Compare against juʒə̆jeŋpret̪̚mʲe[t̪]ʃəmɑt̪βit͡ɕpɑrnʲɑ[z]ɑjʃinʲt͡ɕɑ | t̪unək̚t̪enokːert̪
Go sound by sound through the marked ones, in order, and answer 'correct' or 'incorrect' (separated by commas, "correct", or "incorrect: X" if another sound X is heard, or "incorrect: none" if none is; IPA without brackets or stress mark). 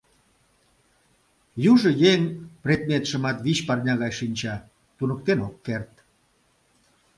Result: correct, incorrect: ɣ